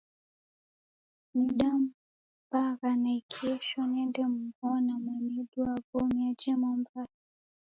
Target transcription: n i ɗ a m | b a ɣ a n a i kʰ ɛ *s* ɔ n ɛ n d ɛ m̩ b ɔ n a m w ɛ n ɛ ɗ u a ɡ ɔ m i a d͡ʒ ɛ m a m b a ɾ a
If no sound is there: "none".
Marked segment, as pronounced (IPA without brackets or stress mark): ʃ